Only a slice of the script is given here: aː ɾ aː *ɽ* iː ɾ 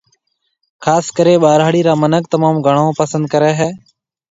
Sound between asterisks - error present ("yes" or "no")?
no